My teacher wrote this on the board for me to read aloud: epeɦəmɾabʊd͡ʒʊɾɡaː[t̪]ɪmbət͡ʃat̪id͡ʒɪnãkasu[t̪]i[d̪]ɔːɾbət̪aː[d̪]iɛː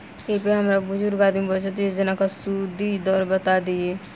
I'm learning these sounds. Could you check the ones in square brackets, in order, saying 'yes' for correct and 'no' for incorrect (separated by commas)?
no, no, yes, yes